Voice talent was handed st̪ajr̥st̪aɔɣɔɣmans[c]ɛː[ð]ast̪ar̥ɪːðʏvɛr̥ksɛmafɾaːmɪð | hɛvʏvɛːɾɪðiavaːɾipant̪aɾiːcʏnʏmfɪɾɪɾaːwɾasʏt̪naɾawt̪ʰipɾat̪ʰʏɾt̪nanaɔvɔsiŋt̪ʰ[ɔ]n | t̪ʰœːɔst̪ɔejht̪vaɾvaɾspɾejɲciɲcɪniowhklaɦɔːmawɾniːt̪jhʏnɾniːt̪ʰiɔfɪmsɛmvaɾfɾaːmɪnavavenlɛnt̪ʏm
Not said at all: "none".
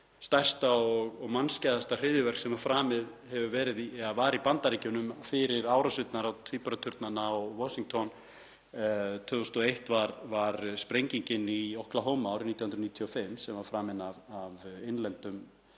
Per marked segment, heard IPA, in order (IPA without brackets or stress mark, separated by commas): c, ð, ɔ